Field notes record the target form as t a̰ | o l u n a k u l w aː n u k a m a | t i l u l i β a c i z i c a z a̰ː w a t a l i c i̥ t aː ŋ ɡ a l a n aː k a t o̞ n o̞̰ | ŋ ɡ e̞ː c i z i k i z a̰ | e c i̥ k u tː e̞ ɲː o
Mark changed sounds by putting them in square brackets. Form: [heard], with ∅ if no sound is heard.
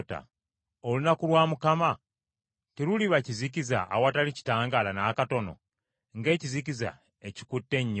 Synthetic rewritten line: t a̰ | o l u n a k u l w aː [m] u k a m a | t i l u l i β a c i z i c [i] z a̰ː w a t a l i c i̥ t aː ŋ ɡ a l a n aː k a t o̞ n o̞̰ | ŋ ɡ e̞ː c i z i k i z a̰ | e c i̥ k u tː e̞ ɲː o